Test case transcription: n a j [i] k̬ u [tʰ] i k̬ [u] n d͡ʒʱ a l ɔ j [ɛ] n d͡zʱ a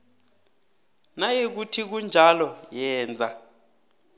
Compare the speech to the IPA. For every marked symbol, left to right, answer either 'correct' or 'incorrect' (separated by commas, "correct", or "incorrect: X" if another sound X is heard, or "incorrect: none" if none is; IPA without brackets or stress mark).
incorrect: e, correct, correct, incorrect: ɛː